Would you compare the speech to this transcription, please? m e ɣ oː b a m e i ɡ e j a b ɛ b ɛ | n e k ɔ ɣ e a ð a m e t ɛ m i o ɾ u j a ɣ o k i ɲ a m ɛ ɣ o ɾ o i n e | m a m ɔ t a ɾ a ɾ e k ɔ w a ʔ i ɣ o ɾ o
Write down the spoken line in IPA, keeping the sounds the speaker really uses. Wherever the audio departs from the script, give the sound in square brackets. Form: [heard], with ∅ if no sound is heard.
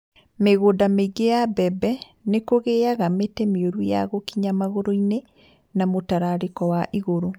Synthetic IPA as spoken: m e ɣ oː [d] a m e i ɡ e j a b ɛ b ɛ | n e k [o] ɣ e a [ɣ] a m e t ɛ m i o ɾ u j a ɣ o k i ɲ a m [a] ɣ o ɾ o i n e | [n] a m [o] t a ɾ a ɾ e k ɔ w a ʔ i ɣ o ɾ o